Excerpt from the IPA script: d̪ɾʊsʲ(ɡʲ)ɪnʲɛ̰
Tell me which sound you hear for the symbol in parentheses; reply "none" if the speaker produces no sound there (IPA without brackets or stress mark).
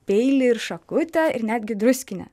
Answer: kʲ